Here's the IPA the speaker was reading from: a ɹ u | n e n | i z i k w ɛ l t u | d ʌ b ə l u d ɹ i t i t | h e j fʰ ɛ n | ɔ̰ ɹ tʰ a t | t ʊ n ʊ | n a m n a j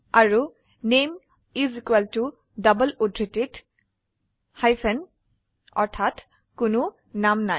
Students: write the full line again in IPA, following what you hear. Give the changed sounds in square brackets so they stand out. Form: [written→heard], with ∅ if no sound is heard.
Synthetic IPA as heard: a ɹ u | n e [n→m] | i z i k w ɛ l t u | d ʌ b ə l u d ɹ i t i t | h [e→a] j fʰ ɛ n | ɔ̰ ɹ tʰ a t | [t→k] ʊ n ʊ | n a m n a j

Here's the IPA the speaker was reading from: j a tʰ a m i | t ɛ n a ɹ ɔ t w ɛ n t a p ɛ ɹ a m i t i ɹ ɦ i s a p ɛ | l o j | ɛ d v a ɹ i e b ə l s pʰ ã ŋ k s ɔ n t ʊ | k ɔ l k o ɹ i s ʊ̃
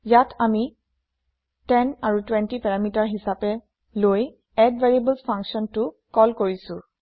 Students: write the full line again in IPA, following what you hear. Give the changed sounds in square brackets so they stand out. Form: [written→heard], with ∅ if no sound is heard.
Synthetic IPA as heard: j a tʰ a m i | t ɛ n a ɹ [ɔ→u] t w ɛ n t [a→i] p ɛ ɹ a m i t [i→a] ɹ ɦ i s a p ɛ | l o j | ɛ d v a ɹ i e b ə l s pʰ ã ŋ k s ɔ n t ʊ | k ɔ l k o ɹ i s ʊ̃

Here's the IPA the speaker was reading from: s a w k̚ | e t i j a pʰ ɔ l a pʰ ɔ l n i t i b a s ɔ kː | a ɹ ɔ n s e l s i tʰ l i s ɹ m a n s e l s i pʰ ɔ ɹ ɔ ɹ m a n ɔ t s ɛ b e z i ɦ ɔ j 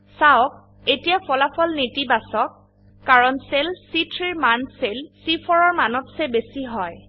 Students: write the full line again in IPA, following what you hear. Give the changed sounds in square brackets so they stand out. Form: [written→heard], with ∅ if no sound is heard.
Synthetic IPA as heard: s a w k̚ | e t i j a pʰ ɔ l a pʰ ɔ l n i t i b a s ɔ kː | a ɹ ɔ n s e l s i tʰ [l→ɹ] i [s→∅] ɹ m a n s e l s i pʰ ɔ ɹ ɔ ɹ m a n ɔ t s ɛ b e [z→s] i ɦ ɔ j

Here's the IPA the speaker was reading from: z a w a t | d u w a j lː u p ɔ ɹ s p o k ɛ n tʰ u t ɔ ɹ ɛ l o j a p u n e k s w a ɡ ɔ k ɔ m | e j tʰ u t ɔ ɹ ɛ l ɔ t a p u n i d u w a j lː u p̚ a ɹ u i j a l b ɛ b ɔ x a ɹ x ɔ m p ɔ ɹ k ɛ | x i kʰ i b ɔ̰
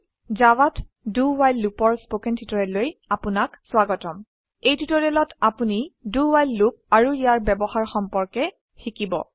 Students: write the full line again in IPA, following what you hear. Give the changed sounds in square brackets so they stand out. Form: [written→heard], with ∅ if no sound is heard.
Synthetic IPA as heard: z a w a t | d u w a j lː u p ɔ ɹ s p o k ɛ n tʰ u t ɔ ɹ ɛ l o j a p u n [e→a] k s w a ɡ ɔ [k→t] ɔ m | e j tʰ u t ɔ ɹ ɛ l ɔ t a p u n i d u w a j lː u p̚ a ɹ u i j a [l→ɹ] b ɛ b ɔ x a ɹ x ɔ m p ɔ ɹ k ɛ | x i [kʰ→k] i b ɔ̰

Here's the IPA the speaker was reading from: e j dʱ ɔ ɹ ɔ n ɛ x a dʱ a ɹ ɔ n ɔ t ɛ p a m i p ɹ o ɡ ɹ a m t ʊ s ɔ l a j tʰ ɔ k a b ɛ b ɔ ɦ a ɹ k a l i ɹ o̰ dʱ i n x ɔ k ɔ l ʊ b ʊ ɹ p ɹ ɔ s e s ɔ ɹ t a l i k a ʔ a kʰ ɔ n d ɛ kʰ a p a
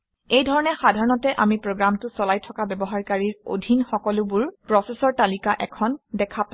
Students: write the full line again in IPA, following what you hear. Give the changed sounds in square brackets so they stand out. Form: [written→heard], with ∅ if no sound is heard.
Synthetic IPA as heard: e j dʱ ɔ ɹ ɔ n ɛ x a dʱ a ɹ ɔ n ɔ t ɛ [p→ʔ] a m i p ɹ o ɡ ɹ a m t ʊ s ɔ l a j tʰ ɔ k a b ɛ b ɔ ɦ a ɹ k a [l→ɹ] i ɹ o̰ dʱ i n x ɔ k ɔ l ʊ b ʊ ɹ p ɹ ɔ s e s ɔ ɹ t a l i k a ʔ [a→ɛ] kʰ ɔ n d ɛ kʰ a p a

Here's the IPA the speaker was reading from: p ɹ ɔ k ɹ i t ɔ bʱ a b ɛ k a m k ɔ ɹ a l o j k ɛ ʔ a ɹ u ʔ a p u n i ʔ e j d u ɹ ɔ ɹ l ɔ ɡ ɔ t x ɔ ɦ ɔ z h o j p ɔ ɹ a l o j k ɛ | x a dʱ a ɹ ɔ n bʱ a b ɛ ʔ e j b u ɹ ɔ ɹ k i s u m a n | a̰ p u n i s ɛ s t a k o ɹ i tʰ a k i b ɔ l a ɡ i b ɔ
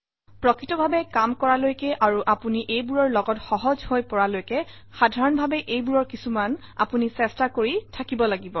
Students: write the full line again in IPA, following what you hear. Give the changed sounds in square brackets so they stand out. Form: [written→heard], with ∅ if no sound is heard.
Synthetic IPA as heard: p ɹ ɔ k ɹ i t ɔ bʱ a b ɛ k a m k ɔ ɹ a l o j k ɛ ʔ a ɹ u ʔ a p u n i ʔ e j [d→b] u ɹ ɔ ɹ l ɔ ɡ ɔ t x ɔ ɦ ɔ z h o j p ɔ ɹ a l o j k ɛ | x a dʱ a ɹ ɔ n bʱ a b ɛ ʔ e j b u ɹ ɔ ɹ k i s u m a n | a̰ p u n i s ɛ s t a k o ɹ i tʰ a k i b ɔ l a ɡ i b ɔ

